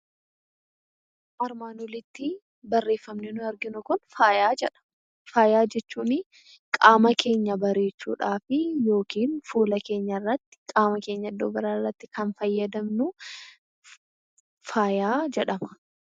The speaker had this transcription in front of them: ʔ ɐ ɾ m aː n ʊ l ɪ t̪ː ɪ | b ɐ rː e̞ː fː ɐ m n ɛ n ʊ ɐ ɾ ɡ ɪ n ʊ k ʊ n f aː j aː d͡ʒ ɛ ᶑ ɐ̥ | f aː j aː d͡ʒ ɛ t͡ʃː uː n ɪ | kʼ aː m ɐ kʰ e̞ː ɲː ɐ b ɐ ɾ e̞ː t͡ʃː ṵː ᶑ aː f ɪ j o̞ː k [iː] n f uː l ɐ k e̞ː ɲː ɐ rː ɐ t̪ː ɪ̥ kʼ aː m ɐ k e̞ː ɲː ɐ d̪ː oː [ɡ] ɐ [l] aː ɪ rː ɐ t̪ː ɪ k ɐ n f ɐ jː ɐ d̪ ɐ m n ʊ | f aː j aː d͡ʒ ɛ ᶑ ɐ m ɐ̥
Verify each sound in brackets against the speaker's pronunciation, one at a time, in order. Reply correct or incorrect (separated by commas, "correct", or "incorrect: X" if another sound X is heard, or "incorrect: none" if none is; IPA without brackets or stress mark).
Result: correct, incorrect: b, incorrect: ɾ